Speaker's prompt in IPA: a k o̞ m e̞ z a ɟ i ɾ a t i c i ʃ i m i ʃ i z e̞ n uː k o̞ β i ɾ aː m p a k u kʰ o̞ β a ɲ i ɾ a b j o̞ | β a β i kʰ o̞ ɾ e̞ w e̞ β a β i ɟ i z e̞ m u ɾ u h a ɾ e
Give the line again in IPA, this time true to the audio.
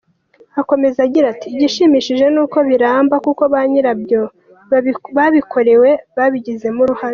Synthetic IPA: a k o̞ m e̞ z a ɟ i ɾ a t i ɟ i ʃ i m i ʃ i ʒ e̞ n uː k o̞ β i ɾ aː m b a k u k o̞ β a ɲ i ɾ a b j o̞ | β a β i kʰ o̞ ɾ e̞ w e̞ β a β i ɟ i z e̞ m u ɾ u h a ɾ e

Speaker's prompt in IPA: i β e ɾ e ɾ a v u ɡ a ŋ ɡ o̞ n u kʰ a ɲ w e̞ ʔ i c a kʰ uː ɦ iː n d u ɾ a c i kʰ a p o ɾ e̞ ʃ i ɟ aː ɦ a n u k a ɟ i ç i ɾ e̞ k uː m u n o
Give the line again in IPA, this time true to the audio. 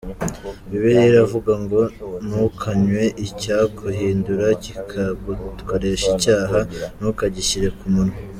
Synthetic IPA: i β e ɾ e ɾ a v u ɡ a ŋ ɡ o̞ n u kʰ a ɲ w e̞ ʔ i c a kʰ u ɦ iː n d u ɾ a c i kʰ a k o ɾ e̞ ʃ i c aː ɦ a n u k a ɟ i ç i ɾ e̞ k u m u n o

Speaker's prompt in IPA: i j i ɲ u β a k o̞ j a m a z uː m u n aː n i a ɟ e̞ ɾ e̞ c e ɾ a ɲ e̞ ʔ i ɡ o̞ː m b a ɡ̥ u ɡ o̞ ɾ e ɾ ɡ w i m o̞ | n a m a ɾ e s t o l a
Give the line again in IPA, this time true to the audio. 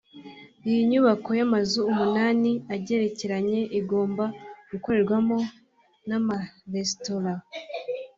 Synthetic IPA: i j i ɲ u β a k o̞ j a m a z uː m u n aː n i a ɟ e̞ ɾ e̞ c e ɾ a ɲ e̞ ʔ i ɡ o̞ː m b a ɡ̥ u k o̞ ɾ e ɾ ɡ w a m o̞ | n a m a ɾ e s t o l a

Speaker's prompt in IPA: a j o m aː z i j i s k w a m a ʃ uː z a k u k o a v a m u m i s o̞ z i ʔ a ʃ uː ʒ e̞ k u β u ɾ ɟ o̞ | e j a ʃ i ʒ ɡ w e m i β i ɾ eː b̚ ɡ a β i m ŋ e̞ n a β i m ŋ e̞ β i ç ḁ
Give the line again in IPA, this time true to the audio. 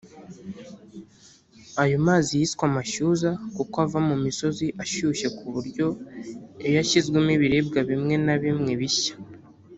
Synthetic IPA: a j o m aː z i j i s k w a m a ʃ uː z a k u k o a v a m u m i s o̞ z i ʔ a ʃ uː ʃ e̞ k u β u ɾ ɟ o̞ | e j a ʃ i z ɡ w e m i β i ɾ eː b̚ ɡ a β i m ŋ e̞ n a β i m ŋ e̞ β i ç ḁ

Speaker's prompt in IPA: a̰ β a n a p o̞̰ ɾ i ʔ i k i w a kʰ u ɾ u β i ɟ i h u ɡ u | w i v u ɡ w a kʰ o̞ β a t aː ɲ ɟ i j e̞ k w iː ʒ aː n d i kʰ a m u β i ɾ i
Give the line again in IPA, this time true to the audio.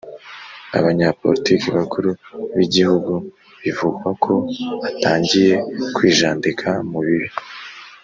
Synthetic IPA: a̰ β a ɲ a p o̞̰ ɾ i t i k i β a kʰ u ɾ u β i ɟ i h u ɡ u | β i v u ɡ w a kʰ o̞ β a t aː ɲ ɟ i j e̞ k w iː ʒ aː n d i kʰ a m u β i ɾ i

